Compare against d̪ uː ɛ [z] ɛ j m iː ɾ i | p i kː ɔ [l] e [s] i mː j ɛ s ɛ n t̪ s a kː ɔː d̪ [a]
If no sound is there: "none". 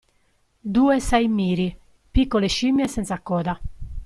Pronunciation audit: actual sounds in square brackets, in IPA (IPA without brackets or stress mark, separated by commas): s, l, ʃ, a